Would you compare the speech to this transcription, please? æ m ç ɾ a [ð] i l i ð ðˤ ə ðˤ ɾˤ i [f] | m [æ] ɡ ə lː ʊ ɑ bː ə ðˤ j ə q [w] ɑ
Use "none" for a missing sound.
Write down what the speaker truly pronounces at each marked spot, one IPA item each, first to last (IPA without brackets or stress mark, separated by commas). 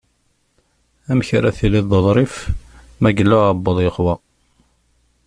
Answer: θ, f, æ, w